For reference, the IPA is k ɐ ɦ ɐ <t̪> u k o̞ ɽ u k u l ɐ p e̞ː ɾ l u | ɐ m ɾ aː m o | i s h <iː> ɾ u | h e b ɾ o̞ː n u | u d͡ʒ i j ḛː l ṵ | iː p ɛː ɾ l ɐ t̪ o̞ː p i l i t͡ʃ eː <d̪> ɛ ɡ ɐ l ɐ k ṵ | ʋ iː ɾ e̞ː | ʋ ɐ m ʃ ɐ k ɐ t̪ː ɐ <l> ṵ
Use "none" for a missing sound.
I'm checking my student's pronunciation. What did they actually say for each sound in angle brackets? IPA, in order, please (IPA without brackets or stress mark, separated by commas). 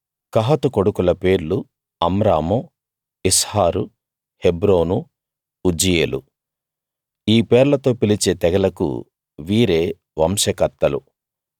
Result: t̪, aː, t̪, l